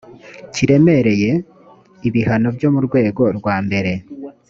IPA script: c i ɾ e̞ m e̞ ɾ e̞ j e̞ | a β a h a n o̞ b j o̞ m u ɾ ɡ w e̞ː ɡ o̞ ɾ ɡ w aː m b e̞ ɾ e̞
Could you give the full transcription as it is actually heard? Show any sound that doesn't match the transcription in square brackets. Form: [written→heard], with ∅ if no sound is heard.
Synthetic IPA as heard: c i ɾ e̞ m e̞ ɾ e̞ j e̞ | [a→i] β [a→i] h a n o̞ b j o̞ m u ɾ ɡ w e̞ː ɡ o̞ ɾ ɡ w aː m b e̞ ɾ e̞